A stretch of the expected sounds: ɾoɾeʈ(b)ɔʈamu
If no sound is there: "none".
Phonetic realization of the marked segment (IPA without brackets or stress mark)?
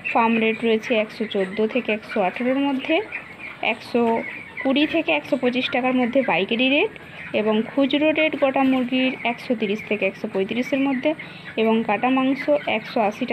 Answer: ɡ